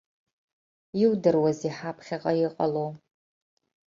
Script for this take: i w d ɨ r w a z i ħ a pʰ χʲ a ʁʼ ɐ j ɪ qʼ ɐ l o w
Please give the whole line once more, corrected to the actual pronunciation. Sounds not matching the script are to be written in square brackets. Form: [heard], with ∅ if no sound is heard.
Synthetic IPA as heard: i w d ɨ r w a z i ħ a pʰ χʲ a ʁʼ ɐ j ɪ qʼ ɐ l o w